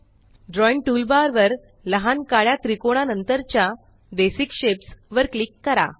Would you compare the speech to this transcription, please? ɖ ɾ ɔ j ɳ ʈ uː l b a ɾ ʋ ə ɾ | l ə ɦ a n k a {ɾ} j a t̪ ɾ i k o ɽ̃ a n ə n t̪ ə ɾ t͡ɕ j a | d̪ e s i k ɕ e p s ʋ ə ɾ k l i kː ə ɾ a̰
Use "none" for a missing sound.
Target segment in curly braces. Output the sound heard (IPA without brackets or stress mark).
ɭ